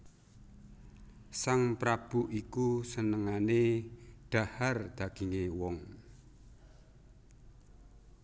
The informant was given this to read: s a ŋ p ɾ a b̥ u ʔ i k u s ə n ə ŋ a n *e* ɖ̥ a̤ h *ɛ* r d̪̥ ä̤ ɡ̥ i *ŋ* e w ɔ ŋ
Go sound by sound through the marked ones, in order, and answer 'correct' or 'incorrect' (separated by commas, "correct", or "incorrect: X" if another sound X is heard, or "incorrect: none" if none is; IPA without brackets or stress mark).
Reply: correct, incorrect: a, correct